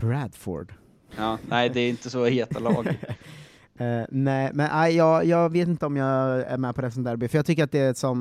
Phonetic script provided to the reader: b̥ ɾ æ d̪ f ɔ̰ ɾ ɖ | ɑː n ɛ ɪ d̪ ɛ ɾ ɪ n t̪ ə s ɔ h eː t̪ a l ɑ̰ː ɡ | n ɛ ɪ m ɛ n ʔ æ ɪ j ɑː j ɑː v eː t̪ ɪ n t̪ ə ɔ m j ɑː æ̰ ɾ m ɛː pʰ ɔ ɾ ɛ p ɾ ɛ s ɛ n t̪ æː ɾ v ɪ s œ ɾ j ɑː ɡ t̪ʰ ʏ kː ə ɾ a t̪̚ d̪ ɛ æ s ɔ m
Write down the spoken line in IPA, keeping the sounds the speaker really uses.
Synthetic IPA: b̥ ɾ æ d̪ f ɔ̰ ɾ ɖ | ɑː n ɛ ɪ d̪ ɛ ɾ ɪ n t̪ ə s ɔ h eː t̪ a l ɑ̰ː ɡ | n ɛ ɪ m ɛ n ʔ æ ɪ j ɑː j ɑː v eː t̪ ɪ n t̪ ə ɔ m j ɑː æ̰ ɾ m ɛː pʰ ɔ ɾ ɛ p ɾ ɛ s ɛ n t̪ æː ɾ b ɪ f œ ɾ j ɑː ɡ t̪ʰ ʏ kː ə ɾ a t̪̚ d̪ ɛ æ s ɔ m